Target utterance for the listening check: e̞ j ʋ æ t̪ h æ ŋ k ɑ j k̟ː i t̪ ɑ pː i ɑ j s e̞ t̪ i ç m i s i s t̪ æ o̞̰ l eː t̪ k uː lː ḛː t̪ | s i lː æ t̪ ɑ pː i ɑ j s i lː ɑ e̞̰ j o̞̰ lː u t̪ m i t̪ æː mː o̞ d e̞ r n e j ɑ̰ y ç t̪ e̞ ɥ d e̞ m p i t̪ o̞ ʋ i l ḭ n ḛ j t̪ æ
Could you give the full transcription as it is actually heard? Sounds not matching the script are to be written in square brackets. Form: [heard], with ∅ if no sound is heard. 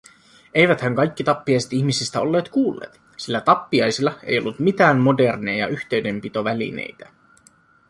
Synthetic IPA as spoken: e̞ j ʋ æ t̪ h æ ŋ k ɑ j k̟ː i t̪ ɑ pː i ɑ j s e̞ t̪ i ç m i s i s t̪ æ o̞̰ [lː] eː t̪ k uː lː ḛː t̪ | s i lː æ t̪ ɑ pː i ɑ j s i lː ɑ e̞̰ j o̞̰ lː u t̪ m i t̪ æː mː o̞ d e̞ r n e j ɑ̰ y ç t̪ e̞ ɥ d e̞ m p i t̪ o̞ ʋ [æ] l ḭ n ḛ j t̪ æ